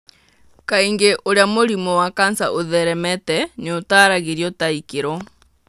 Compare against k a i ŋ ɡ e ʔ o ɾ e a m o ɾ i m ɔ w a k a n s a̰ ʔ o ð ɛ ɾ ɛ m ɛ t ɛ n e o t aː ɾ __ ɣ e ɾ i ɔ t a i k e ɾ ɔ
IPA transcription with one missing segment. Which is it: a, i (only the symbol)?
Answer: a